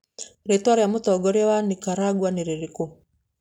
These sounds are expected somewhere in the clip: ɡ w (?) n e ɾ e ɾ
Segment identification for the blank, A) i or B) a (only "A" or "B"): B